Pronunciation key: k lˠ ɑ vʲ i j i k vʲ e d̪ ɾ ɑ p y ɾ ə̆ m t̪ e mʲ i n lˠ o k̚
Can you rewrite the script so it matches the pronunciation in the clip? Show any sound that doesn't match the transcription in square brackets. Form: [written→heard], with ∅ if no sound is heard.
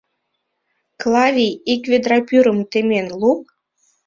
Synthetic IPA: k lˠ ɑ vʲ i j i k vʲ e d̪ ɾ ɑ p y ɾ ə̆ m t̪ e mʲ [i→e] n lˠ [o→u] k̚